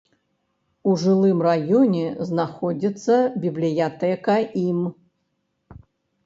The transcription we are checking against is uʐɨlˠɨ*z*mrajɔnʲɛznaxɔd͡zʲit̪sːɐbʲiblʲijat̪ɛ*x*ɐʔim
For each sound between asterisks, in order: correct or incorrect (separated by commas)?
incorrect, incorrect